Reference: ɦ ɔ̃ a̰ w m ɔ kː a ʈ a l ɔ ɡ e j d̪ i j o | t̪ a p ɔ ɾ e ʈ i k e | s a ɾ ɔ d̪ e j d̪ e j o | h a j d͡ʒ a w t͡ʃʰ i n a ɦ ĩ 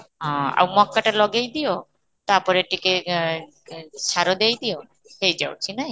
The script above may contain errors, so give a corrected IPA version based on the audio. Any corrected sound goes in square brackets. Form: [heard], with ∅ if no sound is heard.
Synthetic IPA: ɦ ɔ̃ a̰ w m ɔ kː a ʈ a l ɔ ɡ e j d̪ i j o | t̪ a p ɔ ɾ e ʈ i k e | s a ɾ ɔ d̪ e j d̪ [i] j o | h [e] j d͡ʒ a w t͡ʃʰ i n a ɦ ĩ